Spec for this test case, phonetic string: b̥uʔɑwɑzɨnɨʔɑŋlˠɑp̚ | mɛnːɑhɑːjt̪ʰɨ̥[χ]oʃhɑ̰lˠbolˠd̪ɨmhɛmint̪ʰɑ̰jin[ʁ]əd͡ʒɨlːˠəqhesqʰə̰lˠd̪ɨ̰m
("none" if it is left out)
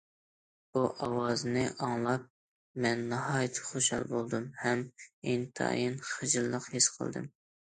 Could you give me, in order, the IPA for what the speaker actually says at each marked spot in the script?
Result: χ, χ

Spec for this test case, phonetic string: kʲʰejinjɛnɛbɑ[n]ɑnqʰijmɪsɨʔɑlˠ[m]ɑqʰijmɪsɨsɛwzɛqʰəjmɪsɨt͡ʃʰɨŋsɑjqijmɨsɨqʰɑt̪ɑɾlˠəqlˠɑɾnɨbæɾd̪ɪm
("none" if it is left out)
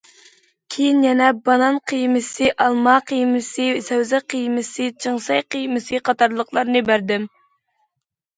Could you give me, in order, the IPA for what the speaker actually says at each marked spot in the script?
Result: n, m

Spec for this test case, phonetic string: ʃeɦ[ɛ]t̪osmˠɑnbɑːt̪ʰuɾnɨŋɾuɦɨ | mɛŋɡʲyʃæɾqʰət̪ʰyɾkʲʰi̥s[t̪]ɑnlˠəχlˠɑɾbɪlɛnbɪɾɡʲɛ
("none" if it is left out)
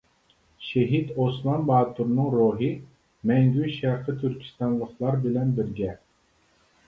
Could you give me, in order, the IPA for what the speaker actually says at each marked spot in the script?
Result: i, t̪

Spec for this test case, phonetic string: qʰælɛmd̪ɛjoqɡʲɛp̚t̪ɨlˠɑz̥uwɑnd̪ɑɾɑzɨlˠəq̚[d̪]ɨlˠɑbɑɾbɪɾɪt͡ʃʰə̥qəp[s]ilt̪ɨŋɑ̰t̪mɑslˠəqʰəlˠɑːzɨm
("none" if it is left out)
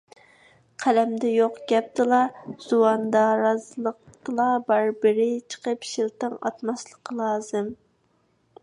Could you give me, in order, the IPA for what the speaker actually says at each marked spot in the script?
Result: t̪, ʃ

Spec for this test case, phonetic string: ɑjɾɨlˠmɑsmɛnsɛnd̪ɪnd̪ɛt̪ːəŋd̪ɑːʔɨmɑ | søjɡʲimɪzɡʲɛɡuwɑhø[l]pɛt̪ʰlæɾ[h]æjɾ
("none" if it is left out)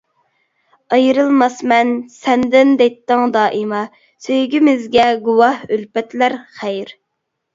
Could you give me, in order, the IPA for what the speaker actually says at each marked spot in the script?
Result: l, χ

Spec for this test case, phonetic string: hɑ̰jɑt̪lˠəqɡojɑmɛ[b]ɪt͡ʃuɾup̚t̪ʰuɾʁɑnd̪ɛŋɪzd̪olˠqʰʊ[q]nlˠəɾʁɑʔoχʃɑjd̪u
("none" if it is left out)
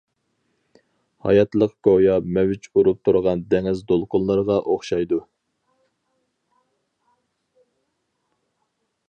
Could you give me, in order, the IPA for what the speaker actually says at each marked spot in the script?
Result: w, none

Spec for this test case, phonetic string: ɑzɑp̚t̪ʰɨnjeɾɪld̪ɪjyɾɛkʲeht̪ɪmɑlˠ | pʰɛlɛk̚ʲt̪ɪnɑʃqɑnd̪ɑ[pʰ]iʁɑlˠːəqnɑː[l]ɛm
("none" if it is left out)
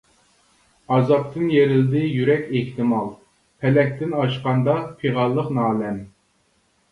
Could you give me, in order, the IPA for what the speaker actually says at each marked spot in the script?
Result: pʰ, l

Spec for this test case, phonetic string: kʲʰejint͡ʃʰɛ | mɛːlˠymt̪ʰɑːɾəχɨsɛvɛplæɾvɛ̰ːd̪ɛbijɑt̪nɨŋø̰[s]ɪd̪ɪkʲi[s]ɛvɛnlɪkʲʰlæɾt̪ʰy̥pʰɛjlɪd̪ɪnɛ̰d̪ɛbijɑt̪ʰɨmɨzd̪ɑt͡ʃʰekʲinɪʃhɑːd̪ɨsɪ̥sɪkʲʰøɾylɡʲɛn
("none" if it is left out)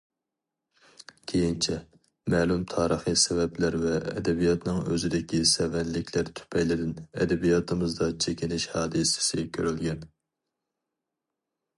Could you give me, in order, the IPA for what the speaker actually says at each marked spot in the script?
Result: z, s

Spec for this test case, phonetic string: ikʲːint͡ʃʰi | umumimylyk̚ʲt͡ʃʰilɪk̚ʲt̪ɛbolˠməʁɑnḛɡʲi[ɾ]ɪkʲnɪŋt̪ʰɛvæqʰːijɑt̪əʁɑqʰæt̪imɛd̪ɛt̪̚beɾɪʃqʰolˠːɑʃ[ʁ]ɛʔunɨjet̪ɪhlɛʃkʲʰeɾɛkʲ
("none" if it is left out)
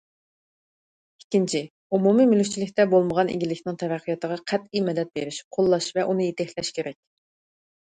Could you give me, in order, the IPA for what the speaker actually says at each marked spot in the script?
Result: l, v

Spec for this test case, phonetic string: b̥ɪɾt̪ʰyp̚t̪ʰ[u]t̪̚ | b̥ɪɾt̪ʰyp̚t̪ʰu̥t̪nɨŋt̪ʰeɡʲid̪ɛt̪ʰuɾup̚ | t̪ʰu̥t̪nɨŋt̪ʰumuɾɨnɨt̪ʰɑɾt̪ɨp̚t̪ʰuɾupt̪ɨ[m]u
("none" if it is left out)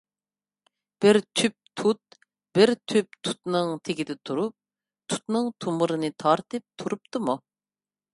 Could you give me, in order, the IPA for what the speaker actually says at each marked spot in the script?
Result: u, m

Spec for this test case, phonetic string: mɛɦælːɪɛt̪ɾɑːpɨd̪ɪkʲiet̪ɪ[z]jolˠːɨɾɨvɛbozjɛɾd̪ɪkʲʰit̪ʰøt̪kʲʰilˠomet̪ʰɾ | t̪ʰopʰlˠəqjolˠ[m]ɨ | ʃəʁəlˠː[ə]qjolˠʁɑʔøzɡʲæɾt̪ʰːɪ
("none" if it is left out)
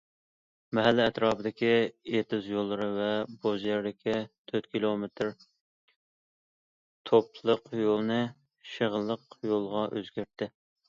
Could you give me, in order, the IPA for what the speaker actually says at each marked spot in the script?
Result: z, n, ə

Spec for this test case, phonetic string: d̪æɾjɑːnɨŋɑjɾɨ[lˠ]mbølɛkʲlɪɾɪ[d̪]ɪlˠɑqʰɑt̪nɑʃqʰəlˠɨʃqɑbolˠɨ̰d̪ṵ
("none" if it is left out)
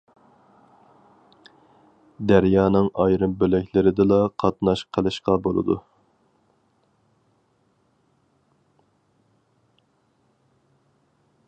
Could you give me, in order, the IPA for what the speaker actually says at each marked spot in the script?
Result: none, d̪

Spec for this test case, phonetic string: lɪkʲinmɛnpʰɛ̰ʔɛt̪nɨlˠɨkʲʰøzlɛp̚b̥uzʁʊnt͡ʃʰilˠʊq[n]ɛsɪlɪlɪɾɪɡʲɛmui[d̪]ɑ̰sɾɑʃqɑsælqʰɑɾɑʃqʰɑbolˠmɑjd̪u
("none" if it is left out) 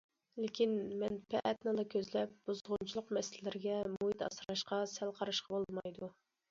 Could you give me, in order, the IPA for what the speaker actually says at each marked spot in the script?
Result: m, t̪

